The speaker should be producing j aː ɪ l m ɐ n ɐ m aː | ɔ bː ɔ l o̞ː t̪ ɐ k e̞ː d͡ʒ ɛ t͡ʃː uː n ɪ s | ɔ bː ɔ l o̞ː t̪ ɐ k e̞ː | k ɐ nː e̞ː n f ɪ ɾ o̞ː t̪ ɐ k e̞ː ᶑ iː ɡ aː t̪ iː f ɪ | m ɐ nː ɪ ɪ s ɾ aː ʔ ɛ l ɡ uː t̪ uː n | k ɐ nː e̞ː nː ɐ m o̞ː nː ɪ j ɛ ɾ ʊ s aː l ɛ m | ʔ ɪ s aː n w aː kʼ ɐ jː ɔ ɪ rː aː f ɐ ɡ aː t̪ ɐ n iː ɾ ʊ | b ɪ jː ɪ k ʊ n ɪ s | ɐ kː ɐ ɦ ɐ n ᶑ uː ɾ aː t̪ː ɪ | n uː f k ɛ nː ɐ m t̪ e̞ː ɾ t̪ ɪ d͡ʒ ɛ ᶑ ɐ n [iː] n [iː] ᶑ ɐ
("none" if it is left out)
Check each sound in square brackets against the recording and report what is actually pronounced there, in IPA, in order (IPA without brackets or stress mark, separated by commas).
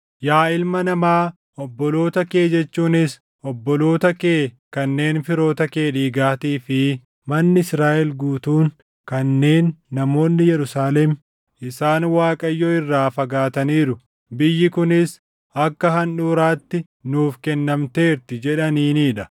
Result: iː, iː